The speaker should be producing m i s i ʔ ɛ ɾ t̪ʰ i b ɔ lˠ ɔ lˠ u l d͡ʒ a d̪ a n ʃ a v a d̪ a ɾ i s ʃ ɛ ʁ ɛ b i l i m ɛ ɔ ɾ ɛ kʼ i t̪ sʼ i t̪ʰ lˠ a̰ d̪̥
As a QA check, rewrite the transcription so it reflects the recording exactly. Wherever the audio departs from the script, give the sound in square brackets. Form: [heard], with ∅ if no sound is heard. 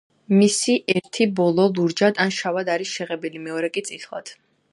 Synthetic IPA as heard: m i s i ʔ ɛ ɾ t̪ʰ i b ɔ lˠ ɔ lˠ u [ɾ] d͡ʒ a d̪ a n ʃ a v a d̪ a ɾ i s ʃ ɛ ʁ ɛ b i l i m ɛ ɔ ɾ ɛ kʼ i t̪ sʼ i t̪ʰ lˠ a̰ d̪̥